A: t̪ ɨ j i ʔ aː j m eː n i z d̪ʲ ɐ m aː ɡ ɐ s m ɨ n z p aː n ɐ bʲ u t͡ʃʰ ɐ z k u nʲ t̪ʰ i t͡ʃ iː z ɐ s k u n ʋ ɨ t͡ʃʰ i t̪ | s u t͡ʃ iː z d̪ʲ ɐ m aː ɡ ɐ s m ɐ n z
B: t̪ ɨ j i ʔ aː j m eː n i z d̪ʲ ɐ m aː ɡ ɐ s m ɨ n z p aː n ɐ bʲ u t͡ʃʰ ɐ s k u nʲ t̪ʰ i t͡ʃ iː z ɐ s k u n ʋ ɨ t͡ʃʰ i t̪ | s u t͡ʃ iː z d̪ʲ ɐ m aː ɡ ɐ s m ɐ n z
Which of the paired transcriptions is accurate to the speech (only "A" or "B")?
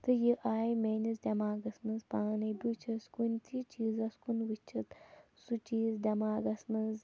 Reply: B